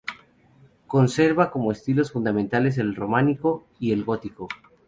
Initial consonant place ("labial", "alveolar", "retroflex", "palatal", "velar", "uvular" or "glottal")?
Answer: velar